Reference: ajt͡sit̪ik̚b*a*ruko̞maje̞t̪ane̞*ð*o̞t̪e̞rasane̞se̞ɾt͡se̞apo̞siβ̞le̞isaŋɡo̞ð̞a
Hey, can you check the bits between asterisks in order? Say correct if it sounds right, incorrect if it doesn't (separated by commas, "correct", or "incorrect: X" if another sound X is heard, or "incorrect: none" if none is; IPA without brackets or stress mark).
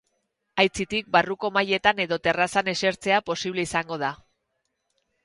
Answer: correct, correct